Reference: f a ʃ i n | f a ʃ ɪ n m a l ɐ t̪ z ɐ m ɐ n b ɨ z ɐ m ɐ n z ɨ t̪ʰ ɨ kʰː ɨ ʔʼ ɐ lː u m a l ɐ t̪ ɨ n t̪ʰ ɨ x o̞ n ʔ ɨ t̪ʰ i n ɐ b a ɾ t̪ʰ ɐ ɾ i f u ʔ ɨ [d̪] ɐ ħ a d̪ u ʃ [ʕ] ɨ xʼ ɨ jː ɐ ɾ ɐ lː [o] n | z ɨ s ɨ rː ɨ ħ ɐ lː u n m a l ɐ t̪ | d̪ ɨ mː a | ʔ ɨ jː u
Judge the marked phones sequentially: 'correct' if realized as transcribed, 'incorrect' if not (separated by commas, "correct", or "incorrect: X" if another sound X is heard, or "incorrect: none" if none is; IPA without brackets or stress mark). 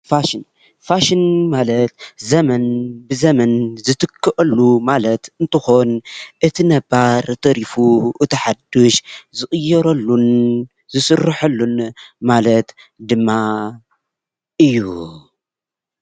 incorrect: t̪, incorrect: z, incorrect: u